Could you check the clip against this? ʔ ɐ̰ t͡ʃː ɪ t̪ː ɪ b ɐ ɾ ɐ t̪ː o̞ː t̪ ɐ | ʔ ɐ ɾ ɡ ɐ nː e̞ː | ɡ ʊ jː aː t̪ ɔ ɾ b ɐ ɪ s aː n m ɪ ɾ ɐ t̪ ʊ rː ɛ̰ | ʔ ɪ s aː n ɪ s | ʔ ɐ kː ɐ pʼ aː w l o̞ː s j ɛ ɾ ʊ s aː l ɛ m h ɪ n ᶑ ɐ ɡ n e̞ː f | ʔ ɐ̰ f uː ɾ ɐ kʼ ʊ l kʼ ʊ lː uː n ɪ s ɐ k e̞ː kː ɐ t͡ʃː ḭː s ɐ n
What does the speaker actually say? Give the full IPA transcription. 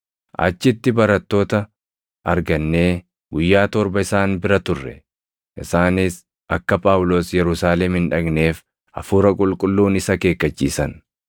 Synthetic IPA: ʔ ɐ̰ t͡ʃː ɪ t̪ː ɪ b ɐ ɾ ɐ t̪ː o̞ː t̪ ɐ | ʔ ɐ ɾ ɡ ɐ nː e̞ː | ɡ ʊ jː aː t̪ ɔ ɾ b ɐ ɪ s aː n b ɪ ɾ ɐ t̪ ʊ rː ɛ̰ | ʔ ɪ s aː n ɪ s | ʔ ɐ kː ɐ pʼ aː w l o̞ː s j ɛ ɾ ʊ s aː l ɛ m h ɪ n ᶑ ɐ ɡ n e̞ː f | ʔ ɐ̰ f uː ɾ ɐ kʼ ʊ l kʼ ʊ lː uː n ɪ s ɐ k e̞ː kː ɐ t͡ʃː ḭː s ɐ n